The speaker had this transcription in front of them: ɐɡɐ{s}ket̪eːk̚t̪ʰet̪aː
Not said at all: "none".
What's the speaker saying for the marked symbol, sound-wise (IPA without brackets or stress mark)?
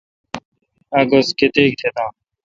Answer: s